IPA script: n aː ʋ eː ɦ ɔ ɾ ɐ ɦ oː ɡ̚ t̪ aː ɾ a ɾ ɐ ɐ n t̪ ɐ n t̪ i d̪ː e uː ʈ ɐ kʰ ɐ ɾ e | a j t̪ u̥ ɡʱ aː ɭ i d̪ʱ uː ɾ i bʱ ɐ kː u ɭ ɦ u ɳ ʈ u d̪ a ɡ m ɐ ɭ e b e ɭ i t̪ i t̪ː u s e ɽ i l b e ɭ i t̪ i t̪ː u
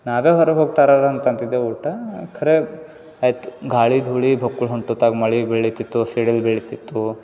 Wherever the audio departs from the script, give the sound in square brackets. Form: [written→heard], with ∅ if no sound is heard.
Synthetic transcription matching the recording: n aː ʋ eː ɦ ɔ ɾ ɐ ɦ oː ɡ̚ t̪ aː ɾ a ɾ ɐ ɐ n t̪ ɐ n t̪ i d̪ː e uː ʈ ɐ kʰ ɐ ɾ e | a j t̪ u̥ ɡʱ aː ɭ i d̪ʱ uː [ɾ→ɭ] i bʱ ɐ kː u ɭ ɦ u ɳ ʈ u [d̪→t̪] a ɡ m ɐ ɭ [e→i] b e ɭ i t̪ i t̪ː u s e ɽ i l b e ɭ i t̪ i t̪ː u